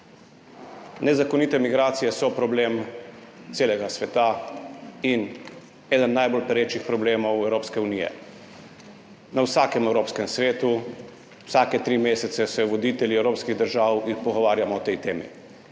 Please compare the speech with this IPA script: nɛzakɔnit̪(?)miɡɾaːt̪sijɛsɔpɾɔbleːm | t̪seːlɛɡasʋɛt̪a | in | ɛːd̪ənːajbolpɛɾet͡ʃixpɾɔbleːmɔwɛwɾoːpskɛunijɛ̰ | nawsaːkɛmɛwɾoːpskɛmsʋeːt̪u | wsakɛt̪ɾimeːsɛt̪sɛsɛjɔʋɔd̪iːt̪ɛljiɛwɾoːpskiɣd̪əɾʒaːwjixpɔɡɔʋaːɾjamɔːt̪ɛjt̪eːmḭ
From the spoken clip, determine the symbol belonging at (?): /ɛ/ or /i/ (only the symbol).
ɛ